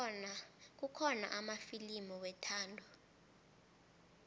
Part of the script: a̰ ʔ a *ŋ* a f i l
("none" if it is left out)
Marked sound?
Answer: m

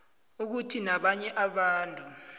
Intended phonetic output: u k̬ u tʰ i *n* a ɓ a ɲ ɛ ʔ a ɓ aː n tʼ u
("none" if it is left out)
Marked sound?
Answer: n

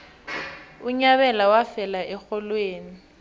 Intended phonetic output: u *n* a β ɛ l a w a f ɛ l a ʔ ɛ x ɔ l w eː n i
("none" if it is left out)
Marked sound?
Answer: ɲ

